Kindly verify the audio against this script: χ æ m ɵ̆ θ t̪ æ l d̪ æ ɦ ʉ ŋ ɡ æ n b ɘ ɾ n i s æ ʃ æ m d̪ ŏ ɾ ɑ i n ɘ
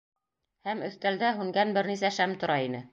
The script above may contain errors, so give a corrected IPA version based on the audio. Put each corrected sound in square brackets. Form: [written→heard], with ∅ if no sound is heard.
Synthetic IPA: [χ→h] æ m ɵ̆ θ t̪ æ l d̪ æ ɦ ʉ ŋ ɡ æ n b ɘ ɾ n i s æ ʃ æ m [d̪→t̪] ŏ ɾ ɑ i n ɘ